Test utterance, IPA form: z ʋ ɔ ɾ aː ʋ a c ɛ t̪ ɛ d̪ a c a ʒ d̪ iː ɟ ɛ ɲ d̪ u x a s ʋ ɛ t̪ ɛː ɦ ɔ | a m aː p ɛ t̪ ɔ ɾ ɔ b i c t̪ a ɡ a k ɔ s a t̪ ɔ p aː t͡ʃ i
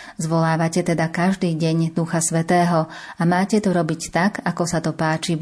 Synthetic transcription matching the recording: z ʋ ɔ l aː ʋ a c ɛ t̪ ɛ d̪ a k a ʒ d̪ iː ɟ ɛ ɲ d̪ u x a s ʋ ɛ t̪ ɛː ɦ ɔ | a m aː c ɛ t̪ ɔ ɾ ɔ b i c t̪ a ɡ a k ɔ s a t̪ ɔ p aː t͡ʃ i